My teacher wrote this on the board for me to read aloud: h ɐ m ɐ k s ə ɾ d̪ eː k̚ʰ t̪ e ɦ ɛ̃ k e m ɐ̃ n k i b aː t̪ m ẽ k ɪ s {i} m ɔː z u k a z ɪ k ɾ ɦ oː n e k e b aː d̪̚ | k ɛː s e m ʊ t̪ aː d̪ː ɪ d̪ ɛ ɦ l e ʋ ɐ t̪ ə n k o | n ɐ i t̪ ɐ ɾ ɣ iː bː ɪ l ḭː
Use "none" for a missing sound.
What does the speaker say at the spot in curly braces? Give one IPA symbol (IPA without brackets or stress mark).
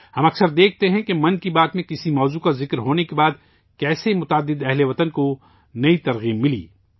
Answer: i